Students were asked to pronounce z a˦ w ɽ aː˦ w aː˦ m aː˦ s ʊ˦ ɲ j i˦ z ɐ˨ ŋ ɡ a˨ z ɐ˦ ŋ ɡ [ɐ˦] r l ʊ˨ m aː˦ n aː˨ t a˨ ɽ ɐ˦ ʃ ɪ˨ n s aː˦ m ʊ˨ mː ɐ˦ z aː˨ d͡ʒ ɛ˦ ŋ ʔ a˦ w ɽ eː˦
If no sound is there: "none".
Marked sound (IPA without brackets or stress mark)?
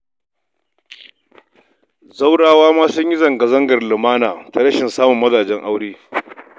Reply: ɐ˨